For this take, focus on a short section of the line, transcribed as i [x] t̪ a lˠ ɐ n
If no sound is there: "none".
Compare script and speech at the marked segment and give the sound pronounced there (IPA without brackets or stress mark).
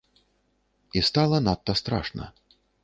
s